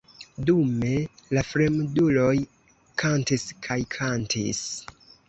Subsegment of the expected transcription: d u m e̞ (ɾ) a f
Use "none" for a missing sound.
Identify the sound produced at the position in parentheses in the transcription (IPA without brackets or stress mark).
l